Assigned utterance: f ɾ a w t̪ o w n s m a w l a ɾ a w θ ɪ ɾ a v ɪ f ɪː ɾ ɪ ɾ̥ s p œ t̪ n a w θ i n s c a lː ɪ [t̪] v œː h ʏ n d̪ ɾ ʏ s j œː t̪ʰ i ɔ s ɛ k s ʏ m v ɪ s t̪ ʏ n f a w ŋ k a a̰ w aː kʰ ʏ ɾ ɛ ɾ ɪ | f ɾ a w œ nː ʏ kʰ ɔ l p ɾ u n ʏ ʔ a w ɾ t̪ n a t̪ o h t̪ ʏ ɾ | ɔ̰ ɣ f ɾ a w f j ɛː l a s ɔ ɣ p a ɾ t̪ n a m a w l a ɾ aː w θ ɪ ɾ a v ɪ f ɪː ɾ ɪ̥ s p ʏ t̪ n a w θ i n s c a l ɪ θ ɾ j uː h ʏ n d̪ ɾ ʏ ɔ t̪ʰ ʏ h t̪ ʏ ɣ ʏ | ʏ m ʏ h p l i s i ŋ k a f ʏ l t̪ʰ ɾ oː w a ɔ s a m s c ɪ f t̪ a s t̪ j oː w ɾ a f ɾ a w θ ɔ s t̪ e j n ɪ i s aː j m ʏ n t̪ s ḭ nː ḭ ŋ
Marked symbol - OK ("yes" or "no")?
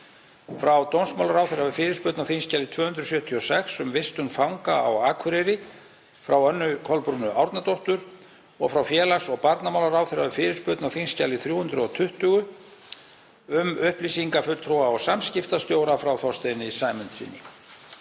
no